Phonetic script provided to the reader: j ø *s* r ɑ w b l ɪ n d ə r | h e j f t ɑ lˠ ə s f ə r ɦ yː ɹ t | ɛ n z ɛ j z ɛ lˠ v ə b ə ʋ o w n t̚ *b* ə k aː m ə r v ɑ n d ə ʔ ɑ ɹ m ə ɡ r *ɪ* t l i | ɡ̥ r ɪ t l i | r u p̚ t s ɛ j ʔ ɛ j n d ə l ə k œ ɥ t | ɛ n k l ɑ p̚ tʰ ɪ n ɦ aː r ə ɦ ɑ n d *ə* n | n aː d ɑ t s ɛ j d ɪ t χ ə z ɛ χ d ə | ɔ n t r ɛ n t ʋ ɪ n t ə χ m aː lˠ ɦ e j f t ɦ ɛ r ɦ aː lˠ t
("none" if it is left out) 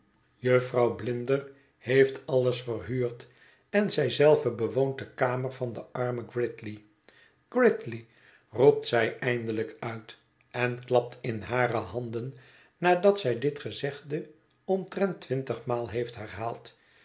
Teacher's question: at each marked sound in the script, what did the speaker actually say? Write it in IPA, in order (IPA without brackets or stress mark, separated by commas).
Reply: f, d, ɪ, ə